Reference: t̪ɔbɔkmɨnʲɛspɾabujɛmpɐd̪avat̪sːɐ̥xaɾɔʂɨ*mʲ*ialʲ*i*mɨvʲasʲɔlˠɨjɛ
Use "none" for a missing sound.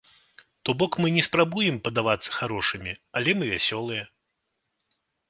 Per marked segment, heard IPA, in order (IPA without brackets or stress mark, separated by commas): mʲ, ɛ